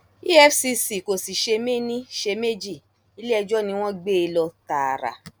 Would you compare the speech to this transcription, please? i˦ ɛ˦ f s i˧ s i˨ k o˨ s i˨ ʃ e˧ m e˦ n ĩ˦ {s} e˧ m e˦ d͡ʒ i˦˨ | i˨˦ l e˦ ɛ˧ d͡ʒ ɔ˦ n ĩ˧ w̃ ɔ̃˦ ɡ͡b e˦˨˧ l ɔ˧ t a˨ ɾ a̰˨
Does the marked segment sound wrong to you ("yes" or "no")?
yes